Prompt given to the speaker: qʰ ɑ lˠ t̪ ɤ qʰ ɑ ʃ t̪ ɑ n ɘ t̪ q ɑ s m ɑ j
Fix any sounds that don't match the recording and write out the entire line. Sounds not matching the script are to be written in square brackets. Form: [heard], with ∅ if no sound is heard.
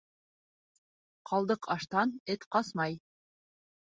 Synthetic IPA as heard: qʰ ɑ lˠ [d̪] ɤ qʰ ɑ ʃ t̪ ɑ n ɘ t̪ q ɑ s m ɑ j